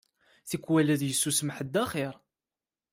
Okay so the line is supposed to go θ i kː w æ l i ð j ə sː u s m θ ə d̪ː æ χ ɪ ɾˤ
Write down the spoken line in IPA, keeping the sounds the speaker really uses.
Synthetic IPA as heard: θ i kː w æ l æ ð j ə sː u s m ħ ə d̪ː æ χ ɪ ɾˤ